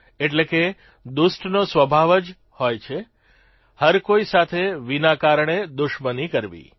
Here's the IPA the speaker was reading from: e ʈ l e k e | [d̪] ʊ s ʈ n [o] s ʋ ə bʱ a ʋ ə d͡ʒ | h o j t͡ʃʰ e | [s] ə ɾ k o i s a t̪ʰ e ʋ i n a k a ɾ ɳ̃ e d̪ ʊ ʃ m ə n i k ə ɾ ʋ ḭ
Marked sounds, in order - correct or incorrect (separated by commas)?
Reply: correct, correct, incorrect